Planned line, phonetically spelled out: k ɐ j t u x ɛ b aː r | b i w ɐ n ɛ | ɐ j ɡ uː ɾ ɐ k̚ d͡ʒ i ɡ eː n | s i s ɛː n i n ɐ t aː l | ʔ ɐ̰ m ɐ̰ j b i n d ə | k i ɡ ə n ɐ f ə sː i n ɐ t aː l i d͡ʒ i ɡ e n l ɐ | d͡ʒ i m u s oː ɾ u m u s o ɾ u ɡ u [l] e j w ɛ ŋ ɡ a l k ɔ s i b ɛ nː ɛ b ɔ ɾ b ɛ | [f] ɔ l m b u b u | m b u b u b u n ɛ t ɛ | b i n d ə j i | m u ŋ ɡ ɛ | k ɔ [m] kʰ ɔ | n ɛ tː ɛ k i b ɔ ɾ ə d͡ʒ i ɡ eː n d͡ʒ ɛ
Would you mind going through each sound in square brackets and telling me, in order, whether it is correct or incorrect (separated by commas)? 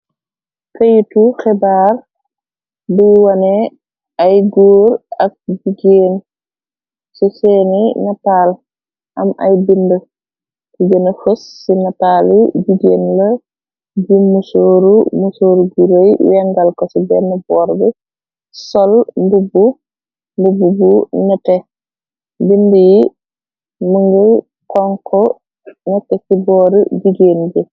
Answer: incorrect, incorrect, incorrect